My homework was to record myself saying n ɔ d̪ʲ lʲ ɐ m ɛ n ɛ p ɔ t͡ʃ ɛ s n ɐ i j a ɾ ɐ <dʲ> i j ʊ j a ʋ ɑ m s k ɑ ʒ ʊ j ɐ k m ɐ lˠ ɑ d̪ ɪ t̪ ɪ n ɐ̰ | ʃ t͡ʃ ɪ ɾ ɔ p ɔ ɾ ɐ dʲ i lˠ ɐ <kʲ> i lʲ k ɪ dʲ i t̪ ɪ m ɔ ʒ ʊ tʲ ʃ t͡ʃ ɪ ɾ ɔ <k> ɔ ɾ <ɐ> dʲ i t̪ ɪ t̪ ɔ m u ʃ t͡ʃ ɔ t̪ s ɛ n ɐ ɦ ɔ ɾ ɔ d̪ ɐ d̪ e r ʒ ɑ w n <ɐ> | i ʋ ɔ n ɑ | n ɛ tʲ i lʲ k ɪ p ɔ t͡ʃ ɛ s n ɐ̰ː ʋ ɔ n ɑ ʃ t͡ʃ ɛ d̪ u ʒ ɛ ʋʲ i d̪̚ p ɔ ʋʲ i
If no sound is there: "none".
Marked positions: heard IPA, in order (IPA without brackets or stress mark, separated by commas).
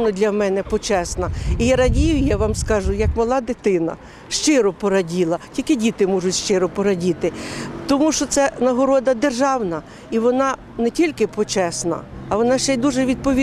dʲ, tʲ, p, ɐ, ɐ